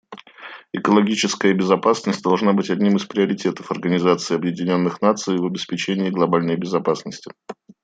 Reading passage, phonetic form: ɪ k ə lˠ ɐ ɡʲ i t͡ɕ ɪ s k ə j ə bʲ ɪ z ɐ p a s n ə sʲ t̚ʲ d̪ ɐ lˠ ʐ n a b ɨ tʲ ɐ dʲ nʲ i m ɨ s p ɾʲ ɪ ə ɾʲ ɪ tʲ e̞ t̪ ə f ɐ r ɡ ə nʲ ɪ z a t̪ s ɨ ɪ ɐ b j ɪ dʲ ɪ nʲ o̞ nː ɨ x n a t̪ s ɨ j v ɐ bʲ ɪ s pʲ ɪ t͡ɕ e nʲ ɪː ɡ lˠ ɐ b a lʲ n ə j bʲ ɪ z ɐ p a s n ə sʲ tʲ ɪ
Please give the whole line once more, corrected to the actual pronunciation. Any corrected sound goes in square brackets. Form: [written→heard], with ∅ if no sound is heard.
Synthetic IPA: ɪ k ə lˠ ɐ ɡʲ i t͡ɕ ɪ s k ə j ə bʲ ɪ z ɐ p a s n ə sʲ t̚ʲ d̪ ɐ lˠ ʐ n a b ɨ tʲ ɐ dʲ nʲ i m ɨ s p ɾʲ ɪ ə ɾʲ ɪ tʲ e̞ t̪ ə f ɐ r ɡ ə nʲ ɪ z a t̪ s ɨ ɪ ɐ b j ɪ dʲ ɪ nʲ o̞ nː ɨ x n a t̪ s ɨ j v ɐ bʲ ɪ s pʲ ɪ t͡ɕ e nʲ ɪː ɡ lˠ ɐ b a lʲ n ə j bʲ ɪ z ɐ p a s n ə sʲ tʲ ɪ